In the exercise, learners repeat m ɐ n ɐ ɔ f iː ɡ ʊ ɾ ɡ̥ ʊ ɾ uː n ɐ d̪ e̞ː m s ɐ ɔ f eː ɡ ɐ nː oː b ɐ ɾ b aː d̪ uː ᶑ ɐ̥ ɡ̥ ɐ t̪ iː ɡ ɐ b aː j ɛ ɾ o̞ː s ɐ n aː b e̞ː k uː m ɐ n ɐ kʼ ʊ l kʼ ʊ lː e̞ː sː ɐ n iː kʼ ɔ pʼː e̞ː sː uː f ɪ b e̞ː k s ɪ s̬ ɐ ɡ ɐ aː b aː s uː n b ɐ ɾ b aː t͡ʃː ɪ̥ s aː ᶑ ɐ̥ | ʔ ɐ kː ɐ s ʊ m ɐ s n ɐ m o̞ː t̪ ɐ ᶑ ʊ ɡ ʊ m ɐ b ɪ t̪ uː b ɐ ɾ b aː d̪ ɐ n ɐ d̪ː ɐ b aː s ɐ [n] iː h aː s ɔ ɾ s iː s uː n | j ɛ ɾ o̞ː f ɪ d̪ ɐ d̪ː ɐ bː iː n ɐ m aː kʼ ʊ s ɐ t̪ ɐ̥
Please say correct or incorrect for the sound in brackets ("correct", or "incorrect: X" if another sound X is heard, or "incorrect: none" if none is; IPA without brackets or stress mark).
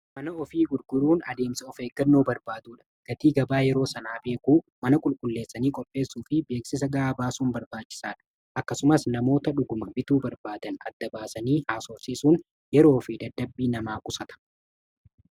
correct